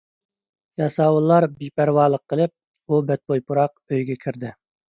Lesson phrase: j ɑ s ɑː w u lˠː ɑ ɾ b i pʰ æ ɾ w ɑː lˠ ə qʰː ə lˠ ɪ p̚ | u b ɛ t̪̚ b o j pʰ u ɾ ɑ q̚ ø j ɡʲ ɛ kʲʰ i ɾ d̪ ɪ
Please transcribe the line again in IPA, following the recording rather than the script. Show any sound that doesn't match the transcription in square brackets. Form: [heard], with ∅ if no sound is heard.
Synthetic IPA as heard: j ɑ s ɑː w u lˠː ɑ ɾ b i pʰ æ ɾ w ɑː lˠ ə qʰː ə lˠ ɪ p̚ | u b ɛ t̪̚ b o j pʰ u ɾ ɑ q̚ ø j ɡʲ ɛ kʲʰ i ɾ d̪ ɪ